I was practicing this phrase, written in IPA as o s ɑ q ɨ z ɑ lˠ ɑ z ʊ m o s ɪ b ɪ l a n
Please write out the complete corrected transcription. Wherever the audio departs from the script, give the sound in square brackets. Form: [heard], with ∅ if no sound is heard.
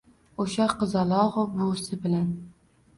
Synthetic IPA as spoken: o [ʃ] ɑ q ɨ z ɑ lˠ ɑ [ʁ] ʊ [b] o s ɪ b ɪ l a n